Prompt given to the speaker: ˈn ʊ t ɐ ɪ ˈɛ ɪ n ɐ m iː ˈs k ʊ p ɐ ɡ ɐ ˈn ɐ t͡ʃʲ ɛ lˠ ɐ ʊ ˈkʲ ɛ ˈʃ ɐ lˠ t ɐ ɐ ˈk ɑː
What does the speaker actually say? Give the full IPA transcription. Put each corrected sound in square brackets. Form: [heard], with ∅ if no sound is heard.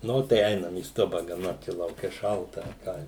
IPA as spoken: ˈn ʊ t ɐ ɪ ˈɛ ɪ n ɐ m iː ˈs [t] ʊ [b] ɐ ɡ ɐ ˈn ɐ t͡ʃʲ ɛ lˠ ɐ ʊ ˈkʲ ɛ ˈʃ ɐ lˠ t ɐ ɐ ˈk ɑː